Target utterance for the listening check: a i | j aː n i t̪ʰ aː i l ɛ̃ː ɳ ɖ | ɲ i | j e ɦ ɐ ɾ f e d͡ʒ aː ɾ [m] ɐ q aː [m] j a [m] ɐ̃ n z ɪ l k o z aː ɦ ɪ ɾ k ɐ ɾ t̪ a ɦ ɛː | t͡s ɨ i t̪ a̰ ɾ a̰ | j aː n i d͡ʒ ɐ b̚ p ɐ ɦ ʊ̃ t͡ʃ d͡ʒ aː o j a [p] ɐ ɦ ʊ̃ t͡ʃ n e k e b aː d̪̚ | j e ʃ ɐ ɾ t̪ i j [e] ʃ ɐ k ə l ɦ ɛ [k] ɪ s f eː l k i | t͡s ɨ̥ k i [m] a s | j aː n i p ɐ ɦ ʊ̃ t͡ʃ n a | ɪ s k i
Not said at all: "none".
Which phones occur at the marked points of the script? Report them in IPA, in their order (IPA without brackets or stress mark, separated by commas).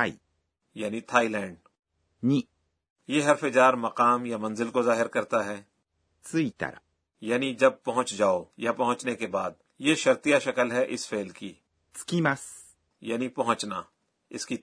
m, m, m, p, a, ʔ, m